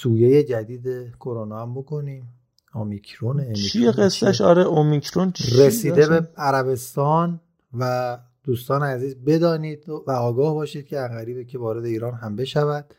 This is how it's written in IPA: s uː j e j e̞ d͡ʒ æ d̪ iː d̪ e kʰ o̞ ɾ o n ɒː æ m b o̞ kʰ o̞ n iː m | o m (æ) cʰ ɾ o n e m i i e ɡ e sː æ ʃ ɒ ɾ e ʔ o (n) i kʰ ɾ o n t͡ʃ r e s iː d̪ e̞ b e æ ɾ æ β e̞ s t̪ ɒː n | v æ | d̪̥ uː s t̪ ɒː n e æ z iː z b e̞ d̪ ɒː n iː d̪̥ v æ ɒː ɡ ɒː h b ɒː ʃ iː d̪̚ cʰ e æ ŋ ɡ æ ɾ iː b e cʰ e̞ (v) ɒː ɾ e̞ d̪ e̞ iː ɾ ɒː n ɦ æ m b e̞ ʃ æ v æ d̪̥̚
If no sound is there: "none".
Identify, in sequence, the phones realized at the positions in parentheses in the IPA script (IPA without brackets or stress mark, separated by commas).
i, m, v